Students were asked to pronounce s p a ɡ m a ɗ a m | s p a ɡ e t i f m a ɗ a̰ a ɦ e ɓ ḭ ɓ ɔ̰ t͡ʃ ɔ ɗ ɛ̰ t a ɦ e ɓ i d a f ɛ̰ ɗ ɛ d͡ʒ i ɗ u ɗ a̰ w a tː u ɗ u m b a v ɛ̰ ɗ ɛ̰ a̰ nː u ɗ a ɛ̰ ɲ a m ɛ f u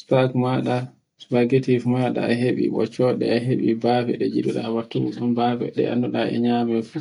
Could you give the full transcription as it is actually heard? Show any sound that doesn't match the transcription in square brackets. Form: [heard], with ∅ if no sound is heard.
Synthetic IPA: s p a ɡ m a ɗ a [∅] | s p a ɡ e t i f m a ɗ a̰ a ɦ e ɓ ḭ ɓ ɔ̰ t͡ʃ ɔ ɗ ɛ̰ [∅] a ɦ e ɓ i [b] a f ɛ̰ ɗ ɛ d͡ʒ i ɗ u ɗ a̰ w a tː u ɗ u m b a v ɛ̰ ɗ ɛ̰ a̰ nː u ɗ a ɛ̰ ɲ a m ɛ f u

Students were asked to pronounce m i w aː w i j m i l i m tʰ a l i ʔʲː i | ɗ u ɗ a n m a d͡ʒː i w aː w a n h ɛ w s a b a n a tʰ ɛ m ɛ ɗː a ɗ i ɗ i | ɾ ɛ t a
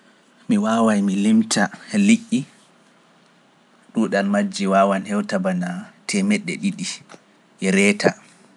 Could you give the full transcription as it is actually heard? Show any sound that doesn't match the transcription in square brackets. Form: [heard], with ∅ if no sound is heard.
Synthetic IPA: m i w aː w [a] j m i l i m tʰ a l i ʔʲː i | ɗ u ɗ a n m a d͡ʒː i w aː w a n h ɛ w [t] a b a n a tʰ ɛ m ɛ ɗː [ɛ] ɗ i ɗ i | ɾ ɛ t a

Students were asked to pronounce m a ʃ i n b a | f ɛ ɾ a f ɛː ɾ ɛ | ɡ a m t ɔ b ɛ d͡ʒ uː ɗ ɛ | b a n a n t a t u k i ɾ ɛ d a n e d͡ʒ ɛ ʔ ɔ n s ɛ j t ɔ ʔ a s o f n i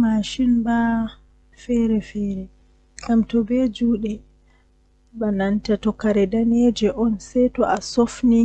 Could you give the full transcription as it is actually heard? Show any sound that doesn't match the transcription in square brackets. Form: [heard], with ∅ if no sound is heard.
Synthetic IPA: m a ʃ i n b a | f ɛ ɾ [ɛ] f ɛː ɾ ɛ | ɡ a m t ɔ b ɛ d͡ʒ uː ɗ ɛ | b a n a n t a t [ɔ] k [a] ɾ ɛ d a n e d͡ʒ ɛ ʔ ɔ n s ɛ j t ɔ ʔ a s o f n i

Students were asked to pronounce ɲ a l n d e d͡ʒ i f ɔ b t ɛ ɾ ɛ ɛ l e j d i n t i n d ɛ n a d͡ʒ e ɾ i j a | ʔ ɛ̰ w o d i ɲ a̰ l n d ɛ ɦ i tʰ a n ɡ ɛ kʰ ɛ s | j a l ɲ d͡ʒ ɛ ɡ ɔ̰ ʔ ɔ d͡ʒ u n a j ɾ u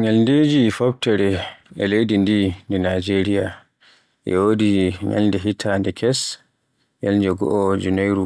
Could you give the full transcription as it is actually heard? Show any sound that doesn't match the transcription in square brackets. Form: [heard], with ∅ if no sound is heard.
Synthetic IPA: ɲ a l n d e d͡ʒ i f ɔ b t ɛ ɾ ɛ ɛ l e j d i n [d] i n d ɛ n a d͡ʒ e ɾ i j a | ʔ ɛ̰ w o d i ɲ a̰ l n d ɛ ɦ i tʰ a n [d] ɛ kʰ ɛ s | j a l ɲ d͡ʒ ɛ ɡ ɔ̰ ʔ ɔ d͡ʒ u n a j ɾ u

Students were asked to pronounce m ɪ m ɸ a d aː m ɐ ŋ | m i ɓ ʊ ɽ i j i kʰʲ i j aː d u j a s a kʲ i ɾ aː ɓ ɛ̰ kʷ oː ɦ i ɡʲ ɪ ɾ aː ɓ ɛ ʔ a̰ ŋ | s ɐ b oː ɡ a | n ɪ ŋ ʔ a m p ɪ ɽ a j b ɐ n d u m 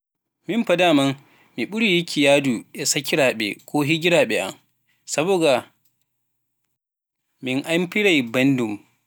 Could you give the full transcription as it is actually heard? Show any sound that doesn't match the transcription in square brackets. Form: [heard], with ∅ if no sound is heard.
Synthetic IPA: m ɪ m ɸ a d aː m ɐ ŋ | m i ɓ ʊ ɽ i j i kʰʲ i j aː d u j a s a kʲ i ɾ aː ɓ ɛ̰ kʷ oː ɦ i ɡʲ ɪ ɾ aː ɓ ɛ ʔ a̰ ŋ | s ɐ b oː ɡ a | [m] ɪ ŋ ʔ a m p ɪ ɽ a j b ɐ n d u m

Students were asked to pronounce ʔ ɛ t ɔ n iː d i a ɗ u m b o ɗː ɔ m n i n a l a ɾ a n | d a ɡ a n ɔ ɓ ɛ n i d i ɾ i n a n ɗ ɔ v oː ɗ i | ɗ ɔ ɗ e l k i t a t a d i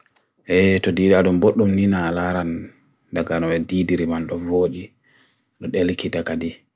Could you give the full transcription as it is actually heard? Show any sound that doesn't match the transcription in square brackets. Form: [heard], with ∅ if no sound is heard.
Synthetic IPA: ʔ ɛ t ɔ [d] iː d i a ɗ u m b o ɗː [u] m n i n a l a ɾ a n | d a ɡ a n ɔ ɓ ɛ [d] i d i ɾ i [m] a n ɗ ɔ v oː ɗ i | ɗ ɔ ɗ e l k i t a [k] a d i

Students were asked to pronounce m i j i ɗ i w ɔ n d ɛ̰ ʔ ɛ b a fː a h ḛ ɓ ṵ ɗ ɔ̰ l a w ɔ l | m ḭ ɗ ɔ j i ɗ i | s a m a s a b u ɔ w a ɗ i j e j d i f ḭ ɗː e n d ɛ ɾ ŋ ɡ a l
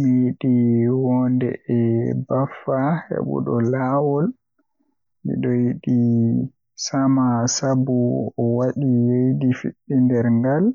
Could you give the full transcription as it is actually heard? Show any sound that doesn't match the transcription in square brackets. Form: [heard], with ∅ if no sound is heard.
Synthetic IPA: m i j i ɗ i w ɔ n d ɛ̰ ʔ ɛ b a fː a h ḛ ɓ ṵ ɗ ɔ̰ l a w ɔ l | m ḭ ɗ ɔ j i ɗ i | s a m a s a b u ɔ w a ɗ i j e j d i f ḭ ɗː [i] n d ɛ ɾ ŋ ɡ a l

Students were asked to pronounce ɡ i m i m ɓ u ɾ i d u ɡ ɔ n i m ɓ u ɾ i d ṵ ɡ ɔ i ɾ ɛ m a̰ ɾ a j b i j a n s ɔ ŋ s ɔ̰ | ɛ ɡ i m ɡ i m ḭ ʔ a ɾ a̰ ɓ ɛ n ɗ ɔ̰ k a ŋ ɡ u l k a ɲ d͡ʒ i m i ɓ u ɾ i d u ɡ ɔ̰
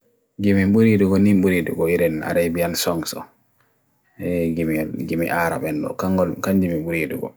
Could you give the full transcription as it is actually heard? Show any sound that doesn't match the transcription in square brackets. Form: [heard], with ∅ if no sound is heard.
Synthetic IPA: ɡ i m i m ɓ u ɾ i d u ɡ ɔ n i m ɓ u ɾ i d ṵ ɡ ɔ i ɾ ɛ [n] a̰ ɾ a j b i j a n s ɔ ŋ s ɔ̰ | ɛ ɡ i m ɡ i m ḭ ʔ a ɾ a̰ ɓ ɛ n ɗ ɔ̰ k a ŋ ɡ [ɔ] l k a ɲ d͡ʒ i m i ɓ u ɾ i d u ɡ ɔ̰

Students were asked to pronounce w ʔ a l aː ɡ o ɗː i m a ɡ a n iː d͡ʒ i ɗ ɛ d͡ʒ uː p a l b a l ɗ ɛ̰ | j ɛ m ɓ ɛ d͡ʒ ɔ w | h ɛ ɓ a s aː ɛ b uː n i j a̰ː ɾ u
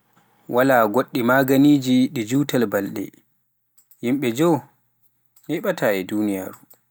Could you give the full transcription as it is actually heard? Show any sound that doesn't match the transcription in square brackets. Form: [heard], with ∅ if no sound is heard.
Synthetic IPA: w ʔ a l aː ɡ o ɗː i m a ɡ a n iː d͡ʒ i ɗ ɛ d͡ʒ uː [t] a l b a l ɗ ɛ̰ | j [i] m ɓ ɛ d͡ʒ ɔ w | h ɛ ɓ a [t] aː ɛ [d] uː n i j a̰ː ɾ u

